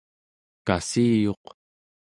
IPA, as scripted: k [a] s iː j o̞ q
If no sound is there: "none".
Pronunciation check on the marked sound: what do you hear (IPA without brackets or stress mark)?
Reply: a